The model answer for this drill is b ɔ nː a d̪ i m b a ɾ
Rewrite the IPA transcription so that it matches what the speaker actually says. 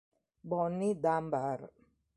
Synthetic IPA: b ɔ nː i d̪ a m b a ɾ